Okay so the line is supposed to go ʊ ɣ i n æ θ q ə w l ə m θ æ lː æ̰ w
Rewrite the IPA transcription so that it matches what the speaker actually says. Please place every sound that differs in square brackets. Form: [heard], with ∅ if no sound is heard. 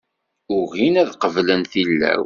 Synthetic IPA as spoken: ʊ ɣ i n æ [ð] q ə [v] l ə [n] θ [i] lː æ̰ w